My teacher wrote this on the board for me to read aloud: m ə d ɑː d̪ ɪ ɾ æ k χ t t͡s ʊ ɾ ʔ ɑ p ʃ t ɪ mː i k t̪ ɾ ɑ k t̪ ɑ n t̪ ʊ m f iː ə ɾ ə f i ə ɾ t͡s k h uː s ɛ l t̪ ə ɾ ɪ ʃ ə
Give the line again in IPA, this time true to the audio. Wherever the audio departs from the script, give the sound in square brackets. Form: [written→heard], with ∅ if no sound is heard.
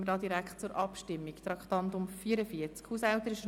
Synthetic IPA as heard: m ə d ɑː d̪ [ɪ→i] ɾ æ k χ t t͡s ʊ ɾ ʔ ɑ p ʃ t ɪ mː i k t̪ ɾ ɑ k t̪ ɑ n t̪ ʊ m f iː ə ɾ ə f i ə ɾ t͡s k h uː s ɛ l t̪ ə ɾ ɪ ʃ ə